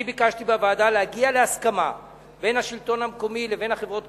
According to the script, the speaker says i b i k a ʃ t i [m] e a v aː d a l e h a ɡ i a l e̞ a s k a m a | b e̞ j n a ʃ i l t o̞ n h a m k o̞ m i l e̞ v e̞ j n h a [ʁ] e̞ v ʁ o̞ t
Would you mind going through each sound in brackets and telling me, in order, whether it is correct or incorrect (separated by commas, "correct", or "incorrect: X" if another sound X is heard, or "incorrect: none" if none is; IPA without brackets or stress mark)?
incorrect: b, incorrect: χ